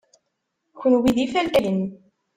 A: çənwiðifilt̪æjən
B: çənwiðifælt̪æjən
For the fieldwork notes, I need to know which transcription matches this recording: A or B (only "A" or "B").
B